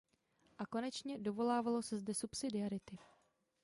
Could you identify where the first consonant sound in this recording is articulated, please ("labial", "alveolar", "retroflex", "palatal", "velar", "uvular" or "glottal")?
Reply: glottal